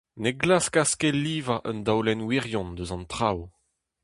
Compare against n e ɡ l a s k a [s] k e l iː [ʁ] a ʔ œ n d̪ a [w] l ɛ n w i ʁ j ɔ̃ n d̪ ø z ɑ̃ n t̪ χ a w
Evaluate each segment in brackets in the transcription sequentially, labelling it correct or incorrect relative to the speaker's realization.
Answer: correct, incorrect: v, correct

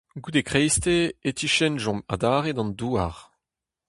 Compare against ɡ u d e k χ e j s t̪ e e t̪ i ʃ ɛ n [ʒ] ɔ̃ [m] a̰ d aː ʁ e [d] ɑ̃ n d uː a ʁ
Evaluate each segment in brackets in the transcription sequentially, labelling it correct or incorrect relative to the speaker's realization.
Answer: correct, correct, correct

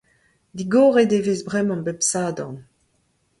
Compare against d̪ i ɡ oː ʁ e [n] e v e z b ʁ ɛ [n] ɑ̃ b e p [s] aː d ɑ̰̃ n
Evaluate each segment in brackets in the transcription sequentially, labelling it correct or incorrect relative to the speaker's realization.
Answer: incorrect: d, incorrect: m, correct

